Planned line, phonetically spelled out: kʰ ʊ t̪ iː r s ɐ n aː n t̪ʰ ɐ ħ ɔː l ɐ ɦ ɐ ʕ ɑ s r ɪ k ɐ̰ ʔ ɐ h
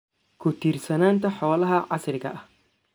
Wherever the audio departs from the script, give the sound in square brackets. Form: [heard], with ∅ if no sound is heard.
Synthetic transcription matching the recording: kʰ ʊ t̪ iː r s ɐ n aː n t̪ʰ ɐ ħ ɔː l ɐ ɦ ɐ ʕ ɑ s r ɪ k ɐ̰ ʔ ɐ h